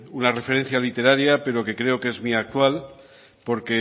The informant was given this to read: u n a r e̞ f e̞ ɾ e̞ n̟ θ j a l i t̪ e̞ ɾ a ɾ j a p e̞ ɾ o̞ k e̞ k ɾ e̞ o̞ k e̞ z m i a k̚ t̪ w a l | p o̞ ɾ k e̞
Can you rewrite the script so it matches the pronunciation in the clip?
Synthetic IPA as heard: u n a r e̞ f e̞ ɾ e̞ n̟ θ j a l i t̪ e̞ ɾ a ɾ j a p e̞ ɾ o̞ k e̞ k ɾ e̞ o̞ k e̞ z m i a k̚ t̪ w a l | p o̞ ɾ k e̞